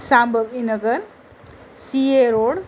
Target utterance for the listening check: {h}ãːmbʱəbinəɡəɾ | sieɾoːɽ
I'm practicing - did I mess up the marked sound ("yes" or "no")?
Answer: yes